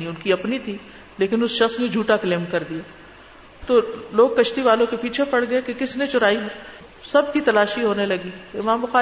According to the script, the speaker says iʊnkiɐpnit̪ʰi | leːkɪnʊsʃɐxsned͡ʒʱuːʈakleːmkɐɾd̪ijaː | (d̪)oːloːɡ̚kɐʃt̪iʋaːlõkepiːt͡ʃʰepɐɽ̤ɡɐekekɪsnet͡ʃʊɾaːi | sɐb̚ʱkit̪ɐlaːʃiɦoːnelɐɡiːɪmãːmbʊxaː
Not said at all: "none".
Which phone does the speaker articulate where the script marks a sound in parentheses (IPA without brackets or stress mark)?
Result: t̪